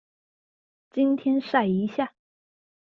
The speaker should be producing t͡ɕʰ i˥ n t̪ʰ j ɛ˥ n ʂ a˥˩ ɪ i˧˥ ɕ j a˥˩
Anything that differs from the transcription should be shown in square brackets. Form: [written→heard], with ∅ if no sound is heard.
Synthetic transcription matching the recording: [t͡ɕʰ→t͡ɕ] i˥ n t̪ʰ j ɛ˥ n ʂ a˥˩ ɪ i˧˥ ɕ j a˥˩

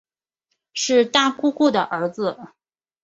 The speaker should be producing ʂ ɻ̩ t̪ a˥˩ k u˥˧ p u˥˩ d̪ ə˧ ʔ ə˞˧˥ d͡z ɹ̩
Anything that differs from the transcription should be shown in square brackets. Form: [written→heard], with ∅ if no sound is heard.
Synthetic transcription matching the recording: ʂ ɻ̩ t̪ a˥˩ k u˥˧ [p→k] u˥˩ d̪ [ə˧→ə˩] ʔ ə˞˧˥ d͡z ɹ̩

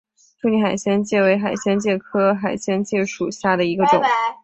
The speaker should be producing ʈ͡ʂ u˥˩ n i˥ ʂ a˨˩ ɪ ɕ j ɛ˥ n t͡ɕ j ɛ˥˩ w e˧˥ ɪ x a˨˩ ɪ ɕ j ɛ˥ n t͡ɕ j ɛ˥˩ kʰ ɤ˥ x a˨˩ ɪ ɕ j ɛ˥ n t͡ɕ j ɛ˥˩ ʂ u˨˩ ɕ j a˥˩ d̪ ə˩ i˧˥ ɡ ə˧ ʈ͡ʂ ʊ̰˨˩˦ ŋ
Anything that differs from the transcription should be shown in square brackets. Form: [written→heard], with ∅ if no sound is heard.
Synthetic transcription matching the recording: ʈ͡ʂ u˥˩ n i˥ [ʂ→x] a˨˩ ɪ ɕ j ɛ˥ n t͡ɕ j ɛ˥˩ w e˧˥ ɪ x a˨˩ ɪ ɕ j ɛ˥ n t͡ɕ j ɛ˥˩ kʰ ɤ˥ x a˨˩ ɪ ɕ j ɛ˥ n t͡ɕ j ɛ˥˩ ʂ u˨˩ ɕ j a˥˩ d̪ ə˩ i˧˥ ɡ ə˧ ʈ͡ʂ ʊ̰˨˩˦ ŋ

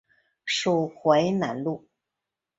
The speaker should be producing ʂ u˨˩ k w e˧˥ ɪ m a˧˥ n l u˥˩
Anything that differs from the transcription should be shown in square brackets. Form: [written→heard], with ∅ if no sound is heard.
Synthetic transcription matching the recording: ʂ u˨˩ [k→x] w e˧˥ ɪ [m→n] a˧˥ n l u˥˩

